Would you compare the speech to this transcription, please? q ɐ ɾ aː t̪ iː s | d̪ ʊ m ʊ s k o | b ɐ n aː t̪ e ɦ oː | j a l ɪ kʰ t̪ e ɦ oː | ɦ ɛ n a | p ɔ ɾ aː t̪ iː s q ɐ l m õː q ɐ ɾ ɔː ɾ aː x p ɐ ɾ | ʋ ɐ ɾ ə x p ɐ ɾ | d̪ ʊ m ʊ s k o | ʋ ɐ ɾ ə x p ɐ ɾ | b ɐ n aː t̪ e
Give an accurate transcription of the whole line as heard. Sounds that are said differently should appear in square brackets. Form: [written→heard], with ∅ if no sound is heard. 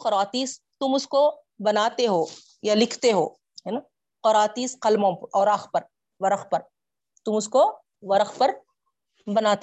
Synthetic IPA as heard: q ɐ ɾ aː t̪ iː s | [d̪→t̪] ʊ m ʊ s k o | b ɐ n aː t̪ e ɦ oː | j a l ɪ kʰ t̪ e ɦ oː | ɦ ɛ n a | [p→q] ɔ ɾ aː t̪ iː s q ɐ l m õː [q→p] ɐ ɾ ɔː ɾ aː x p ɐ ɾ | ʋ ɐ ɾ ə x p ɐ ɾ | [d̪→t̪] ʊ m ʊ s k o | ʋ ɐ ɾ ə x p ɐ ɾ | b ɐ n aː t̪ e